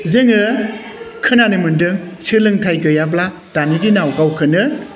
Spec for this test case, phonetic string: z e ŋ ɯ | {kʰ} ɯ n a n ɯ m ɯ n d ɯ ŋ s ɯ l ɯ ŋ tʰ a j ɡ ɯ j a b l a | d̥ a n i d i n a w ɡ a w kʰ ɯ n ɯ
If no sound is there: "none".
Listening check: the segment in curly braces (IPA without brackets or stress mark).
kʰ